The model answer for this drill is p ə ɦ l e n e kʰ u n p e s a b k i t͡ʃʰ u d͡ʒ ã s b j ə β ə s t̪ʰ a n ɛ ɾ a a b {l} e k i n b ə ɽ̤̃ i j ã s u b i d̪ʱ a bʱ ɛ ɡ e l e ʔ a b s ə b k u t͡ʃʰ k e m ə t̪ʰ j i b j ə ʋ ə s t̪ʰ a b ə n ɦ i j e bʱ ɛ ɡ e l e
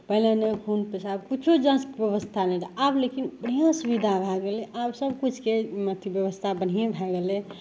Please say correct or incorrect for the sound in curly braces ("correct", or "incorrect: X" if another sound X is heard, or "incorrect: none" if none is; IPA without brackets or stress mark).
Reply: correct